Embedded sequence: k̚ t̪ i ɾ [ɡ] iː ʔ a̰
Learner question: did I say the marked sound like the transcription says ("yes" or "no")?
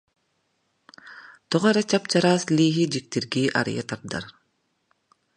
yes